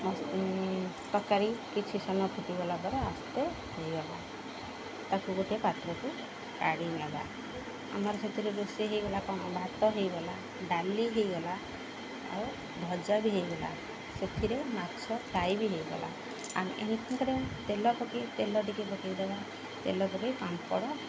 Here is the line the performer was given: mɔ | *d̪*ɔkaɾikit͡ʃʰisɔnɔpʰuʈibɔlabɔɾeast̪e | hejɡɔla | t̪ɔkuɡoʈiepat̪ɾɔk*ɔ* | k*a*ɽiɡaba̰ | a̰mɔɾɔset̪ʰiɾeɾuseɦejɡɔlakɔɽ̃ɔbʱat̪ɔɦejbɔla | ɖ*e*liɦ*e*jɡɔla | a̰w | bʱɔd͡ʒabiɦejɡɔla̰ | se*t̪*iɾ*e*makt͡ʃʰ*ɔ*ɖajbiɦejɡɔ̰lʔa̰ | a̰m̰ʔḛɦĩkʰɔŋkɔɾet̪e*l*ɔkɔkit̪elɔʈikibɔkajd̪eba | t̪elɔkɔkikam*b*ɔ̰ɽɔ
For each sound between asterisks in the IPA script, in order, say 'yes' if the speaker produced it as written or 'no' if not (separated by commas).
no, no, yes, no, yes, no, yes, yes, yes, no